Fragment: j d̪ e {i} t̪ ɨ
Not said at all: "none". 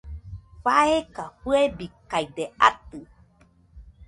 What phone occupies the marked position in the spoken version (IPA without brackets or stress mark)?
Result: a